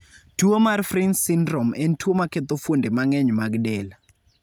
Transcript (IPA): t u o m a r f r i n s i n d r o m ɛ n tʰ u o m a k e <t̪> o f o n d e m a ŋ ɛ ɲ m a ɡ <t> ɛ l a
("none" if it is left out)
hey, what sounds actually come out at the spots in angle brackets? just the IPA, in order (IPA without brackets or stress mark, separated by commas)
t̪, d